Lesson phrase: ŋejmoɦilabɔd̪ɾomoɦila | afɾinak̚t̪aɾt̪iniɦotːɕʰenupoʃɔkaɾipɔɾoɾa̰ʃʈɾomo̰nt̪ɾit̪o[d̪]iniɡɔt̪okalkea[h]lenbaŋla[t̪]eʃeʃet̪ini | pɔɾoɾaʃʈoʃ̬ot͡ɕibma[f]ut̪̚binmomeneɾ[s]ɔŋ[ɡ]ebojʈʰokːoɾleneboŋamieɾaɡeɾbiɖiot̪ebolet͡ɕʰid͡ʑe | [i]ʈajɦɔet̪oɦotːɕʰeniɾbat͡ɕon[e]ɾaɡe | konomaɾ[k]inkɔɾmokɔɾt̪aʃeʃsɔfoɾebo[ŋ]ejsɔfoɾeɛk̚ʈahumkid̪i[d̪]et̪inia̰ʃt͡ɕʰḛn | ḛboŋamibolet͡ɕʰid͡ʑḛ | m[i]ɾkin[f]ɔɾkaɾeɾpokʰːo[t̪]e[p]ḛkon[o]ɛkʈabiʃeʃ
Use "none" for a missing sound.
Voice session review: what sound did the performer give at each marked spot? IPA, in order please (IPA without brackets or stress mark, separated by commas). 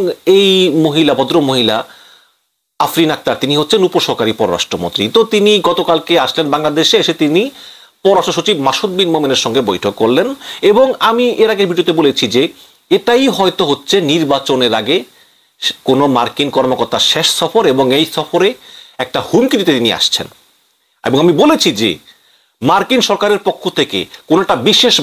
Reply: t̪, ʃ, d̪, ʃ, ʃ, ɡ, e, e, k, ŋ, t̪, a, ʃ, t̪ʰ, k, o